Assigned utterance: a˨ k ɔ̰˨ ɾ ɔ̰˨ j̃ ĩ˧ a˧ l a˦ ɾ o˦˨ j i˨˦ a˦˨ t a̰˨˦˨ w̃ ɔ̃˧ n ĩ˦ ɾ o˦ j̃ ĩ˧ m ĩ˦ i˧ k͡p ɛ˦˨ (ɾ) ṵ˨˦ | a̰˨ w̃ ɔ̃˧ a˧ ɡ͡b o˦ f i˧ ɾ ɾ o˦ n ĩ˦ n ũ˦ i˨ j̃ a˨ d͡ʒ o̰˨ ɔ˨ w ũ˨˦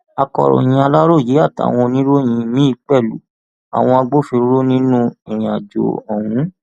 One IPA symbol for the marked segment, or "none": l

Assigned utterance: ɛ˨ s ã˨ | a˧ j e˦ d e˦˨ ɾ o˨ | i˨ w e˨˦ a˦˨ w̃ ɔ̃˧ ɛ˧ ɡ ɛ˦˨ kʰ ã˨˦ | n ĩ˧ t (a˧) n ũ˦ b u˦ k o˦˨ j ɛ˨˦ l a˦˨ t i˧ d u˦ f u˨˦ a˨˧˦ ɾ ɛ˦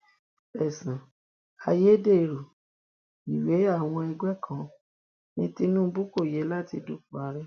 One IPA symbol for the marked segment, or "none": i˧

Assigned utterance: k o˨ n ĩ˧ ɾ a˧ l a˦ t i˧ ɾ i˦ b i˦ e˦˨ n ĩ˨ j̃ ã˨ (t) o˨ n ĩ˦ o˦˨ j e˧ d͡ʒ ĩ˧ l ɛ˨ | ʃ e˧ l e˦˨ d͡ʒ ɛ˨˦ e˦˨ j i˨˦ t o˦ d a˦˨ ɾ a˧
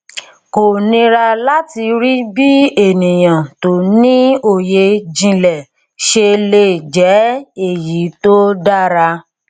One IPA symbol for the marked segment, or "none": t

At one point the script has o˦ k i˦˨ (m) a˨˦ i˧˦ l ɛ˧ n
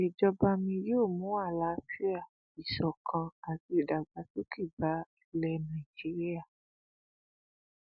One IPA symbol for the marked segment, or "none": b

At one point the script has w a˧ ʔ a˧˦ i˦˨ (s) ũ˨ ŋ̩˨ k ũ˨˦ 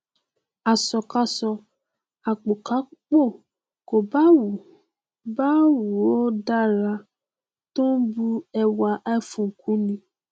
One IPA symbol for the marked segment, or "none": f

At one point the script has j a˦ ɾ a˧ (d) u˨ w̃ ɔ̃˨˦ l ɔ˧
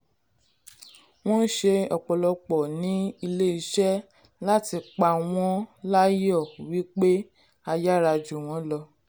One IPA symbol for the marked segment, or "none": d͡ʒ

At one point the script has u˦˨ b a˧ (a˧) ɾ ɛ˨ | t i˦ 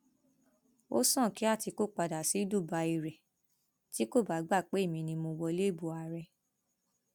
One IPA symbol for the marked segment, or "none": i˧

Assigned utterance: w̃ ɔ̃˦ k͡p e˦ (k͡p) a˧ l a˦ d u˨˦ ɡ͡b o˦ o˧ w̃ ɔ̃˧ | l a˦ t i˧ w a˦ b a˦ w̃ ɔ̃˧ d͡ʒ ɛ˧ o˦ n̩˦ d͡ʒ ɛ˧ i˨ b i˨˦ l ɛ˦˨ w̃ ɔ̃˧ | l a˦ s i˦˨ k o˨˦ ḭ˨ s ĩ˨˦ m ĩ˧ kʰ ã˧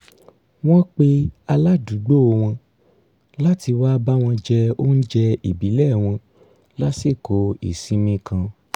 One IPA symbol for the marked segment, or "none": none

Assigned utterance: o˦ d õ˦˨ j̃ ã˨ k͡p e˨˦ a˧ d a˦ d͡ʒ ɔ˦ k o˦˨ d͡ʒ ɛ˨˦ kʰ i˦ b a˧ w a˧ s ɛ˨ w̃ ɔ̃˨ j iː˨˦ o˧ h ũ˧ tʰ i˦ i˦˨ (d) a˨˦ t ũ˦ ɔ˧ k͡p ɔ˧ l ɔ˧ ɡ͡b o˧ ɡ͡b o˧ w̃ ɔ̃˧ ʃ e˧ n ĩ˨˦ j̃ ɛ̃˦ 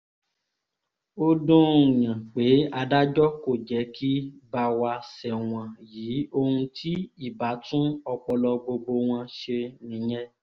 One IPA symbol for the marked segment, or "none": b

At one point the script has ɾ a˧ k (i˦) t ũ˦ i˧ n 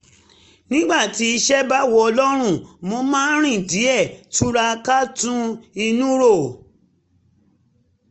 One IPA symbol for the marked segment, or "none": a˦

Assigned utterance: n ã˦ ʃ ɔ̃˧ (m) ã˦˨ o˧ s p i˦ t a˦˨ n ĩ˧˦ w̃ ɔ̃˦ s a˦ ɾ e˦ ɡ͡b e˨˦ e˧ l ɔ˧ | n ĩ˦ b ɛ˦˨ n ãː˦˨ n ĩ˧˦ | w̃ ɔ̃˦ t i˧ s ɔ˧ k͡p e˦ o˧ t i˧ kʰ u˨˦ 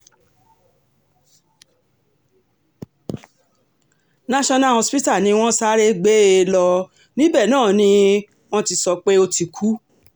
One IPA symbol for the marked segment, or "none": n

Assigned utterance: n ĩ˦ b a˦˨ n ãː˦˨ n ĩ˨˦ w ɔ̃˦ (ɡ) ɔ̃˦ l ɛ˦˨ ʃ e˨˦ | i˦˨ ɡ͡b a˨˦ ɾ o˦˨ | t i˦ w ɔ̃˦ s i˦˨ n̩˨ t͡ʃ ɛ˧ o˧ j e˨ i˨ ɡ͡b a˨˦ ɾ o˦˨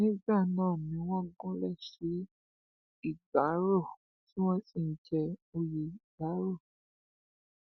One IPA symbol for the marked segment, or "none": ɡ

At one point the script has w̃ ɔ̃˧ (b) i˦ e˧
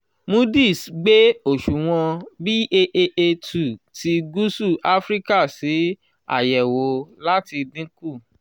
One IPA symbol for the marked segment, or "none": b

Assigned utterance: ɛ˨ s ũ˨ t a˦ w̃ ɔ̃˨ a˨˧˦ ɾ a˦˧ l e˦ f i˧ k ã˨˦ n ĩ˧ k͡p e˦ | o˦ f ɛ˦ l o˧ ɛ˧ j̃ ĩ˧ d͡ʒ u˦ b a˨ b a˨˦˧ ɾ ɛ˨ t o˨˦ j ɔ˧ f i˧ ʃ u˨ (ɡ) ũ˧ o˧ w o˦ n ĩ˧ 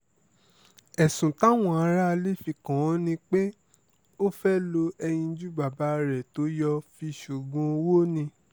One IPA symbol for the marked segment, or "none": ɡ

